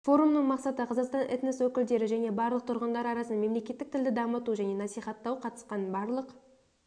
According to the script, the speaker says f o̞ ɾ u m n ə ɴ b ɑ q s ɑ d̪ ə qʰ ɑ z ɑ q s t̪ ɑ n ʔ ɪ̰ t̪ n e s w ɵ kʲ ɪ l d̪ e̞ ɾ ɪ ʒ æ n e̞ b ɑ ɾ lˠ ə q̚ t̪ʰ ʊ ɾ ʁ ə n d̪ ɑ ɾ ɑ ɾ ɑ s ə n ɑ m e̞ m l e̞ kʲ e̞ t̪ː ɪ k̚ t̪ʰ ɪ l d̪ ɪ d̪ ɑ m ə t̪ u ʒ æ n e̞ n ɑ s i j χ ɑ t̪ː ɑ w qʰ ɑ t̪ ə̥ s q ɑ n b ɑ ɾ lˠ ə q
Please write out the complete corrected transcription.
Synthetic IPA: f o̞ ɾ u m n ə ɴ m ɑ q s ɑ t̪ ə qʰ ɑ z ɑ q s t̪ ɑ n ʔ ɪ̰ t̪ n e s w ɵ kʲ ɪ l d̪ e̞ ɾ ɪ ʒ æ n e̞ b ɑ ɾ lˠ ə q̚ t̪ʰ ʊ ɾ ʁ ə n d̪ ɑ ɾ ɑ ɾ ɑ s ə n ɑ m e̞ m l e̞ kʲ e̞ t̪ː ɪ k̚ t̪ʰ ɪ l d̪ ɪ d̪ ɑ m ə t̪ u ʒ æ n e̞ n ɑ s i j χ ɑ t̪ː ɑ w qʰ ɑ t̪ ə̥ s q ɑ n b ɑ ɾ lˠ ə q